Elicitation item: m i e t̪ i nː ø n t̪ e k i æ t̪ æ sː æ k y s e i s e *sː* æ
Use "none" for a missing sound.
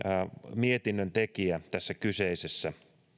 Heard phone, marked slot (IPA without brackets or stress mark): sː